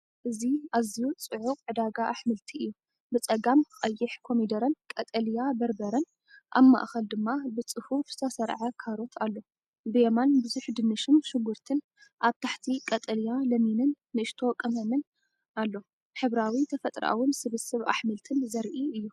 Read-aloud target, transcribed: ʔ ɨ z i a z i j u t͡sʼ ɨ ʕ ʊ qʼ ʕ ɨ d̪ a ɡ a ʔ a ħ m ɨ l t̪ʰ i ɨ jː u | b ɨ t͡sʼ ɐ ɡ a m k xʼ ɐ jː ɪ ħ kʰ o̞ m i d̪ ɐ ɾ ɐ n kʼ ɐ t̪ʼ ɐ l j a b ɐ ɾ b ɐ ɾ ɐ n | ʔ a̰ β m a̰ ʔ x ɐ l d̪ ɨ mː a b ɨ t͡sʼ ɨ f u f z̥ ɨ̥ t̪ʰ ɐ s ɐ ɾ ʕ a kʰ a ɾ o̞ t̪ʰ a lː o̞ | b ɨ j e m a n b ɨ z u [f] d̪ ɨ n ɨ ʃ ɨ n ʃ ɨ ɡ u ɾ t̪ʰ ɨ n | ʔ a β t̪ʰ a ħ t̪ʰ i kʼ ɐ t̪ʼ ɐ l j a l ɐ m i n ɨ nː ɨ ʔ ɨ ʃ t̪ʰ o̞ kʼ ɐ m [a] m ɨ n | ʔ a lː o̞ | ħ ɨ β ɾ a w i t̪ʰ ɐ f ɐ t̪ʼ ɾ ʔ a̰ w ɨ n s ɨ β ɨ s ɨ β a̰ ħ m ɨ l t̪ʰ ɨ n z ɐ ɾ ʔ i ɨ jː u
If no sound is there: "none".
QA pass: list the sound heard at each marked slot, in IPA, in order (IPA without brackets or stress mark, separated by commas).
ħ, ɐ